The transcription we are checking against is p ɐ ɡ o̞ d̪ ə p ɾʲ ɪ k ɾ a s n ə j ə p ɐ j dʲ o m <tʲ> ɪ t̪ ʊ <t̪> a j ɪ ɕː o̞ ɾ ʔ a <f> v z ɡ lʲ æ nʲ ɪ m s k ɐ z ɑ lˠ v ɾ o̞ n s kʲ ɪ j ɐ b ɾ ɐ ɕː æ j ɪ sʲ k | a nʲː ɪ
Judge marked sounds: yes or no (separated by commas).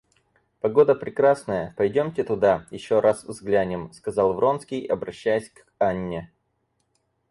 yes, no, no